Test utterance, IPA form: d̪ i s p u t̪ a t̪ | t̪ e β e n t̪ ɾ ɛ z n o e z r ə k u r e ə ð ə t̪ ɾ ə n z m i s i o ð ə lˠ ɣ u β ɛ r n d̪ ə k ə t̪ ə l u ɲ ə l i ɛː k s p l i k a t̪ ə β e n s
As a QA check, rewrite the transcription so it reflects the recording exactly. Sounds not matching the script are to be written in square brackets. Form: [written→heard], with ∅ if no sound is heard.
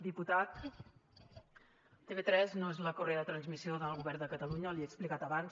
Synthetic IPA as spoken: d̪ i [s→∅] p u t̪ a t̪ | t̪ e β e [n→∅] t̪ ɾ ɛ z n o e z [r→l] ə k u r e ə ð ə t̪ ɾ ə n z m i s i o ð ə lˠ ɣ u β ɛ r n d̪ ə k ə t̪ ə l u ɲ ə l i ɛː k s p l i k a t̪ ə β [e→a] n s